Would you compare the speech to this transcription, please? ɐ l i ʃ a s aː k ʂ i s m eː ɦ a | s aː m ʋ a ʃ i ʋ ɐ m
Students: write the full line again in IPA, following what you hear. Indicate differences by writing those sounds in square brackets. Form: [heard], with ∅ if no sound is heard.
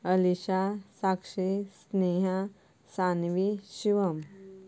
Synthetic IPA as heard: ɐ l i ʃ a s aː k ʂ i s [n] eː ɦ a | s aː [n] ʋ [i] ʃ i ʋ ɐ m